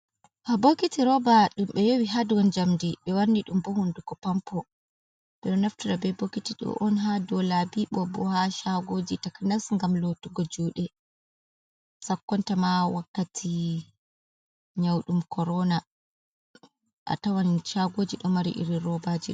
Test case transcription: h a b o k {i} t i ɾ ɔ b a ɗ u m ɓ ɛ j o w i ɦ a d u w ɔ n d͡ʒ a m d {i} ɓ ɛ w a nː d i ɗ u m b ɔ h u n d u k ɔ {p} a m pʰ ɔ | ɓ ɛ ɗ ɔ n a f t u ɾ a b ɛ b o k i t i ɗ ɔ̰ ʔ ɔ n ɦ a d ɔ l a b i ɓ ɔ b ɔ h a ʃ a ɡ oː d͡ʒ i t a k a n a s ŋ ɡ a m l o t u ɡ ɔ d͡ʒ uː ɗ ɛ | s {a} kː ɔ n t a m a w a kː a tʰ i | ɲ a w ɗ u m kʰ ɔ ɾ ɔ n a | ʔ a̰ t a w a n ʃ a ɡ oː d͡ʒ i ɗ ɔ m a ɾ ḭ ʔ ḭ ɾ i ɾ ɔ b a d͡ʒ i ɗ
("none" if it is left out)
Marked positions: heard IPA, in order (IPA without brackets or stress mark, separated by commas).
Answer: i, i, p, a